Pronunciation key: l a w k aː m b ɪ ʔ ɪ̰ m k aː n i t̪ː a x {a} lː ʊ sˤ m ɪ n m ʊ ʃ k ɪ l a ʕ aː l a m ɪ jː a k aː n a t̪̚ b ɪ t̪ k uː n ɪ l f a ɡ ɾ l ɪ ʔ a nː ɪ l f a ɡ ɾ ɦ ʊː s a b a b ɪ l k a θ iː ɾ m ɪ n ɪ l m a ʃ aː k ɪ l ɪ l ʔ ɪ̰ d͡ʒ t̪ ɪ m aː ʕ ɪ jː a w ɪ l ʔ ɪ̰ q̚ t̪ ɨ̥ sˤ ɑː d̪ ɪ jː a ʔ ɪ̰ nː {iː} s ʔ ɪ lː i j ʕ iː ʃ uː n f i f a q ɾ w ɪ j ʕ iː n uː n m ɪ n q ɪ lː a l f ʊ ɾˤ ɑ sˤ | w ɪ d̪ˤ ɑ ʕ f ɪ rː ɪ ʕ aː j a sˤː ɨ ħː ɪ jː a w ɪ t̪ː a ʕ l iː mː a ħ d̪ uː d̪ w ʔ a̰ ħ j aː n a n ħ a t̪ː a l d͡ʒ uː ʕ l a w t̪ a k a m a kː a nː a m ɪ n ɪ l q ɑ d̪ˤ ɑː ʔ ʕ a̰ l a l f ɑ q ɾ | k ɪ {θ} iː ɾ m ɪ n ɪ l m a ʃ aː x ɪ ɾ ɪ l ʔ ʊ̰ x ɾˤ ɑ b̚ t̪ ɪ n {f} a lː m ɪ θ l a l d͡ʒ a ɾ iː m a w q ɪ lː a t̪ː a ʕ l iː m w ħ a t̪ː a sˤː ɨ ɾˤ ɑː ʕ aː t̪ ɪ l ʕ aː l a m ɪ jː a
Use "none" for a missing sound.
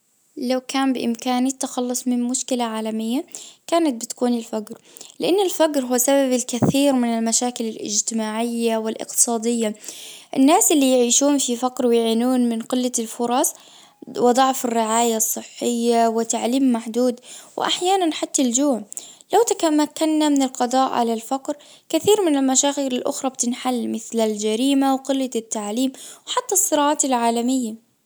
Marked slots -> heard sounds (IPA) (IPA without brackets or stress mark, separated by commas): ɑ, aː, θ, ħ